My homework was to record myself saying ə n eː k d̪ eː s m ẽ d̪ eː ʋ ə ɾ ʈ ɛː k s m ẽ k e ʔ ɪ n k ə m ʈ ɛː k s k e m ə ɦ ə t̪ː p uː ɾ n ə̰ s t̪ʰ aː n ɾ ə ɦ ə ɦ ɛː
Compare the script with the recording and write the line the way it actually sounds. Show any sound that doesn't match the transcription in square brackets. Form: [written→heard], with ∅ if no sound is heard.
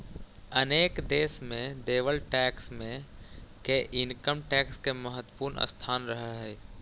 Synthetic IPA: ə n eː k d̪ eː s m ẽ d̪ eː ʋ ə [ɾ→l] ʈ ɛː k s m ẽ k e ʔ ɪ n k ə m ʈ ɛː k s k e m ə ɦ ə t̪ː p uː ɾ n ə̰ s t̪ʰ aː n ɾ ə ɦ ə ɦ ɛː